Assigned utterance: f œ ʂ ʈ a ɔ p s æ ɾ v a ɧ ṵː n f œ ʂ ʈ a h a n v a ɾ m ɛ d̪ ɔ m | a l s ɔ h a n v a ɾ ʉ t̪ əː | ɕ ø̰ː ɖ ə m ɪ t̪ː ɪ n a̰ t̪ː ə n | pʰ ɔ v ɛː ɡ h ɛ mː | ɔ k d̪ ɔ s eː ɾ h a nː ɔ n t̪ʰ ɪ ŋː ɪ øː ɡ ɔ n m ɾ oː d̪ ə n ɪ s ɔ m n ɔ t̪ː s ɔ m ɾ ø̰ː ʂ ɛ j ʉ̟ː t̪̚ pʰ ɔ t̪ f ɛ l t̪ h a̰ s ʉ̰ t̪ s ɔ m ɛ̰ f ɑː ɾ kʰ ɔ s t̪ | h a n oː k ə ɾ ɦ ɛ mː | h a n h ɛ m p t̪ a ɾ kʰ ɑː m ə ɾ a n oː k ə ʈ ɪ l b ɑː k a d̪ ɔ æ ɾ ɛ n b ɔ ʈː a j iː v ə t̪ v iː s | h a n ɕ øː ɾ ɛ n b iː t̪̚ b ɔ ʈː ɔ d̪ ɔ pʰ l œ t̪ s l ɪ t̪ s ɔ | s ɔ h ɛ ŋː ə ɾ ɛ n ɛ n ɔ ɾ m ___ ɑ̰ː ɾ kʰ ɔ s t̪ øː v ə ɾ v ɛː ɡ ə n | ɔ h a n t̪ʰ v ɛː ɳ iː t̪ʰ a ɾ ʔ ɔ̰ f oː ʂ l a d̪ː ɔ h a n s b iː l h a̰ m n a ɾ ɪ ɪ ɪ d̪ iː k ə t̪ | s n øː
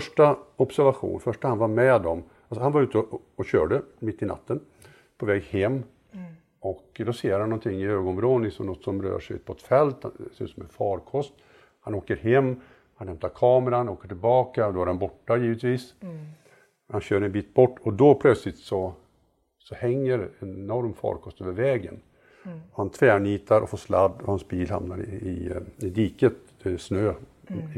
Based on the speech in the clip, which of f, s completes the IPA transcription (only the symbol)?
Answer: f